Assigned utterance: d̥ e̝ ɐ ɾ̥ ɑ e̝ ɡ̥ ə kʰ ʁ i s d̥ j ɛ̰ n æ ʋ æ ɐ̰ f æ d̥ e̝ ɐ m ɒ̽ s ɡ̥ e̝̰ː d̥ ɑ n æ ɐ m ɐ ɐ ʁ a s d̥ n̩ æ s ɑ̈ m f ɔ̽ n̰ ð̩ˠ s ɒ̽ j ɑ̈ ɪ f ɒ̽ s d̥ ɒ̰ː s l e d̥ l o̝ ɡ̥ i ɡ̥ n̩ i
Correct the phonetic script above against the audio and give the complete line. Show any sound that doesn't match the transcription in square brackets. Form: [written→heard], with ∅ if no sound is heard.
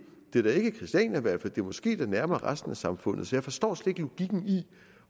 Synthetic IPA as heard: d̥ e̝ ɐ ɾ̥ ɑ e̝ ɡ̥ ə kʰ ʁ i s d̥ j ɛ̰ n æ ʋ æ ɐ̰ f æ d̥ e̝ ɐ m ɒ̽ s ɡ̥ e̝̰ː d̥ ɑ n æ ɐ m ɐ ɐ ʁ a s d̥ n̩ æ s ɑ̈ m f ɔ̽ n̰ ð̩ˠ s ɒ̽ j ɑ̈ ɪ f ɒ̽ s d̥ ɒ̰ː s l e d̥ l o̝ ɡ̥ i ɡ̥ n̩ i